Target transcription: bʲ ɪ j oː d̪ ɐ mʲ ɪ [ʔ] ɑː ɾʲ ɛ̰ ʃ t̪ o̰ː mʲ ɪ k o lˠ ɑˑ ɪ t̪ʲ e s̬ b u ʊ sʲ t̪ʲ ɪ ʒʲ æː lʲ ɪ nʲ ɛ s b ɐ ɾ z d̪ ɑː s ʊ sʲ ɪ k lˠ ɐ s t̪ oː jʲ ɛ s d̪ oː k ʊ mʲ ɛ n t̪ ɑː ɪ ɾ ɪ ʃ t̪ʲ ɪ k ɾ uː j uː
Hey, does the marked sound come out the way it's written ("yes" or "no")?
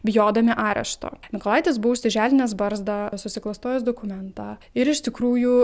yes